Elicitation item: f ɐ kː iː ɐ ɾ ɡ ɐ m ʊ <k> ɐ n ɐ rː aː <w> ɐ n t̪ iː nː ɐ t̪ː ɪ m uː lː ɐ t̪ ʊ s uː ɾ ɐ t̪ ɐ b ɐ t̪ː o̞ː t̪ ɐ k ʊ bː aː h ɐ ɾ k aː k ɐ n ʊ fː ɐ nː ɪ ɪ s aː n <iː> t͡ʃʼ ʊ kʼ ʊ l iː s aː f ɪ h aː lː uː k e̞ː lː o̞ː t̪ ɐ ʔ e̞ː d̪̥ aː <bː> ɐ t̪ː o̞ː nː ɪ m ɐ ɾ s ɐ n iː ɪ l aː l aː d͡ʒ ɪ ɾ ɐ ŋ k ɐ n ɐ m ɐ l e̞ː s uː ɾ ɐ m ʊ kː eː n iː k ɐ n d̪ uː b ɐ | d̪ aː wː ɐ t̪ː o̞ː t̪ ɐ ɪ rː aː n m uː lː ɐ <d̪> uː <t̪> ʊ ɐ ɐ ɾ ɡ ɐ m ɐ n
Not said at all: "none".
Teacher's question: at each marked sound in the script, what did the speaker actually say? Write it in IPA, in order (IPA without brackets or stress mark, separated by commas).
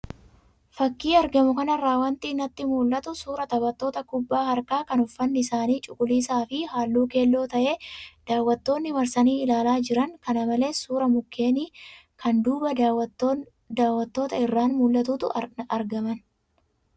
k, w, iː, wː, t̪, t̪